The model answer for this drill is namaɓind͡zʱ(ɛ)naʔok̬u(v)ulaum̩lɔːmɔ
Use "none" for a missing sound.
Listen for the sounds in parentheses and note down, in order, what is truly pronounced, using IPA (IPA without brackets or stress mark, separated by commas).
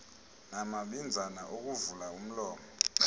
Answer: a, v